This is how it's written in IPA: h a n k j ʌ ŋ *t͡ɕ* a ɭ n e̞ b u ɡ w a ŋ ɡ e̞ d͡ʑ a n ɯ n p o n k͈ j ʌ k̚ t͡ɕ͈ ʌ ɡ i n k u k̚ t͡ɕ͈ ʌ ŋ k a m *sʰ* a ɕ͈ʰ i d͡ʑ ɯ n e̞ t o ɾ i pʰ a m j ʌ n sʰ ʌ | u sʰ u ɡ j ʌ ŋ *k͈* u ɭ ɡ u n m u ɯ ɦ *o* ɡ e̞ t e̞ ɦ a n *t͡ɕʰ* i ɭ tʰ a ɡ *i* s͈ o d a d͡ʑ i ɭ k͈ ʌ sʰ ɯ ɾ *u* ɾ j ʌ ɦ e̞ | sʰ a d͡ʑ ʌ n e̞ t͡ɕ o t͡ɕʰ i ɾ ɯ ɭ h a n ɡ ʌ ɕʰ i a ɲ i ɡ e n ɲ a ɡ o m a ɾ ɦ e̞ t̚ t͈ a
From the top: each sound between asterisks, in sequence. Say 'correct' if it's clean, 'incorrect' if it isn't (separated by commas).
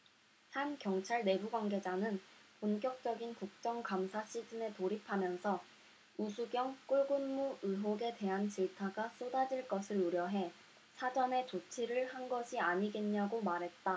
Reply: incorrect, correct, correct, correct, incorrect, incorrect, correct